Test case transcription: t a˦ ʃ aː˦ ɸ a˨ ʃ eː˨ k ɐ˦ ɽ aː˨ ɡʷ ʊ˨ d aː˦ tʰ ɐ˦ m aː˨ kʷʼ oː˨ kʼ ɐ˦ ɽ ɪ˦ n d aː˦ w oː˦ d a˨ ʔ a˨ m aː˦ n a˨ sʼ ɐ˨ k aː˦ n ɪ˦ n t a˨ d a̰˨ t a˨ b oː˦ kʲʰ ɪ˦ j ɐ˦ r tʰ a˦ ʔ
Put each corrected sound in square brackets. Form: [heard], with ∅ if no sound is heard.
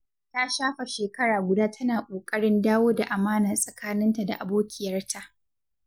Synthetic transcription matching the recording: t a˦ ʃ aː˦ ɸ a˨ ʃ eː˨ k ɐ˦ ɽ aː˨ ɡʷ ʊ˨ d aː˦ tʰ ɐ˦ [n] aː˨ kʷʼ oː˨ kʼ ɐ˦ ɽ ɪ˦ n d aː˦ w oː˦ d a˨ ʔ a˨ m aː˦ n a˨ sʼ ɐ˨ k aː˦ n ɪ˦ n t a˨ d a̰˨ [ʔ] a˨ b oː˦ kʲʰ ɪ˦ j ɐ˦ r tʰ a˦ ʔ